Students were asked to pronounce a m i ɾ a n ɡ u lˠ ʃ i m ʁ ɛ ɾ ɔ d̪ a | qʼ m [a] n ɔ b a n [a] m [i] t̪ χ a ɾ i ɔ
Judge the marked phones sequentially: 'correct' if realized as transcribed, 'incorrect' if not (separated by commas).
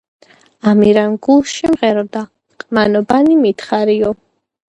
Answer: correct, incorrect, correct